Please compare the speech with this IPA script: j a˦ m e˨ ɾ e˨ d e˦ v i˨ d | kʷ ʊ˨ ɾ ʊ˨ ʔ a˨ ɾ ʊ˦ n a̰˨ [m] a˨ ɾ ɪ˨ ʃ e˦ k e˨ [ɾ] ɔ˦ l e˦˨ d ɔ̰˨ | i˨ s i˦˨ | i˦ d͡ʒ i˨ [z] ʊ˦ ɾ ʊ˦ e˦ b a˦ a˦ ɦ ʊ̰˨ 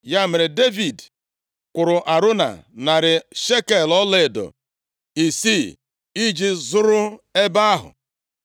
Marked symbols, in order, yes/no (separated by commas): no, no, yes